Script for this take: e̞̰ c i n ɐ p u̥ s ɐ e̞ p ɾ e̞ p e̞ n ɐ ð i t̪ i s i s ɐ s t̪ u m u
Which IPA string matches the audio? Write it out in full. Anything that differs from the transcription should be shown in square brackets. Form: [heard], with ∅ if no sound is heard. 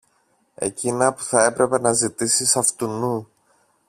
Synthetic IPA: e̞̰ c i n ɐ p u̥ [θ] ɐ e̞ p ɾ e̞ p e̞ n ɐ [z] i t̪ i s i s ɐ [f] t̪ u [n] u